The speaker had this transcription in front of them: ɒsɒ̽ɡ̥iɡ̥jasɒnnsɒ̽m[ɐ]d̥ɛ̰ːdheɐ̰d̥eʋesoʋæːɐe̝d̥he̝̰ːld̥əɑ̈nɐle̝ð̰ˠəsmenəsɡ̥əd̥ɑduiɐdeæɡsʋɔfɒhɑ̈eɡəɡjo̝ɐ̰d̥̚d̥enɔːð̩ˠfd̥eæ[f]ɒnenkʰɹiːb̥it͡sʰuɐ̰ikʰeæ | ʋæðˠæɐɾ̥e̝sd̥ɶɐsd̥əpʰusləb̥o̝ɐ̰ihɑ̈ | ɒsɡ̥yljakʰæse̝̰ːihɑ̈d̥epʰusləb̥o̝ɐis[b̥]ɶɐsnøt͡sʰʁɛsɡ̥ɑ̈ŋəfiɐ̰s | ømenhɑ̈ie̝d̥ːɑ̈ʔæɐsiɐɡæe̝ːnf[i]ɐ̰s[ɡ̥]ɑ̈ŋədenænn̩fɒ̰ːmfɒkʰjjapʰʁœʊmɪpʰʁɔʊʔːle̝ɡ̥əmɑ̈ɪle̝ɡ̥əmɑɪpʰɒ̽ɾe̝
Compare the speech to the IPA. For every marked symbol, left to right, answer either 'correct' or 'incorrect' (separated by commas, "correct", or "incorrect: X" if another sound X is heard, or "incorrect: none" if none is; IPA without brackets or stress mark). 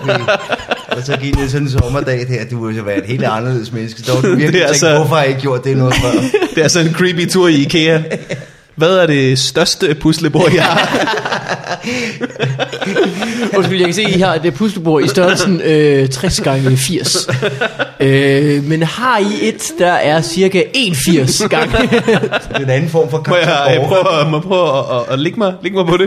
correct, incorrect: s, incorrect: d̥, correct, correct